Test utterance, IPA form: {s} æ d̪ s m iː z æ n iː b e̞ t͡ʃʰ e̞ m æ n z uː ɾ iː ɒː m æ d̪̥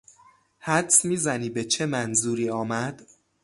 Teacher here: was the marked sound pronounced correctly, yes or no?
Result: no